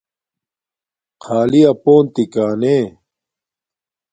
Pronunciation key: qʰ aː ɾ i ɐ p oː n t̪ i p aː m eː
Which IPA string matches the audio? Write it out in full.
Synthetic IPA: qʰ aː l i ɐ p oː n t̪ i k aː n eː